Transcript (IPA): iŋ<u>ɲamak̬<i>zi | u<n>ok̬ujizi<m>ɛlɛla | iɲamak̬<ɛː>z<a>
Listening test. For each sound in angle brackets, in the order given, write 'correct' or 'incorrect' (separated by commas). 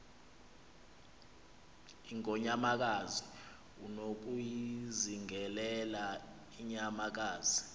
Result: incorrect, incorrect, correct, incorrect, incorrect, incorrect